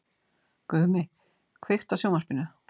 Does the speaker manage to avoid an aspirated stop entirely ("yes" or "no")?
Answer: no